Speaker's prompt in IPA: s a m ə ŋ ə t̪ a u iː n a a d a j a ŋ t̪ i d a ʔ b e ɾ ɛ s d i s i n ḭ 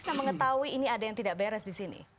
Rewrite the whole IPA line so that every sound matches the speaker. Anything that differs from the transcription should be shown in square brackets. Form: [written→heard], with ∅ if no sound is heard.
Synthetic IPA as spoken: s a m ə ŋ ə t̪ a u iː n [a→i] a d a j a ŋ t̪ i d a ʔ b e ɾ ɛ s d i s i n ḭ